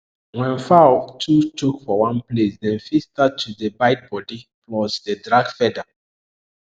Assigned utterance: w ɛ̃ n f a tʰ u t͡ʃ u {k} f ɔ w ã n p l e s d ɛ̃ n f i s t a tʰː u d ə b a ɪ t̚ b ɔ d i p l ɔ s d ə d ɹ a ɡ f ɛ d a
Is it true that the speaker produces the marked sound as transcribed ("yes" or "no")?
yes